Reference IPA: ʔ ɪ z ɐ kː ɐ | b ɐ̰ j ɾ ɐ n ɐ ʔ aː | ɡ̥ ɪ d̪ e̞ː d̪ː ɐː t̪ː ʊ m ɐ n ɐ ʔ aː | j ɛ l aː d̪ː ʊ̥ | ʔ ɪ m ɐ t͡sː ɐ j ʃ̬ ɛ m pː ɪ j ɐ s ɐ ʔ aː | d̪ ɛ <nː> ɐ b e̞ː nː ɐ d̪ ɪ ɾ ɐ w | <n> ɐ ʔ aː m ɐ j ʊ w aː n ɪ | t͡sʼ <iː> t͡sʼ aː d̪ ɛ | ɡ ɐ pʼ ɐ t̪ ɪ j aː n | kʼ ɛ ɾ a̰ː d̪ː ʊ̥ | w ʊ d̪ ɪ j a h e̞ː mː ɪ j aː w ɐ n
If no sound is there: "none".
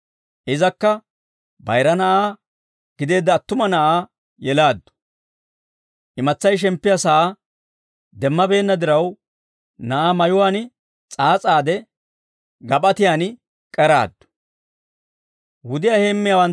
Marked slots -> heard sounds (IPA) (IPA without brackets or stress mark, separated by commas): mː, n, aː